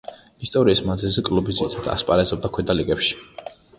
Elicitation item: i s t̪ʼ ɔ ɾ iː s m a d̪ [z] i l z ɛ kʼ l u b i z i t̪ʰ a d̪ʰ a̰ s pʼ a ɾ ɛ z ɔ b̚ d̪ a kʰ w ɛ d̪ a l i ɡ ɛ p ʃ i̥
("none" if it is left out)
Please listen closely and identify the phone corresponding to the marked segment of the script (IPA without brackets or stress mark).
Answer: z